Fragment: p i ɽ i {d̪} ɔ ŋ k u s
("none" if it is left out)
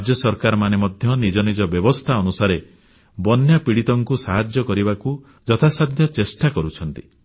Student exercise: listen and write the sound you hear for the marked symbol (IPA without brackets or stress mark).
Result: t̪